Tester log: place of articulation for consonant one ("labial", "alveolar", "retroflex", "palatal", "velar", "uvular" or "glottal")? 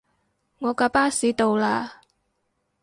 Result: velar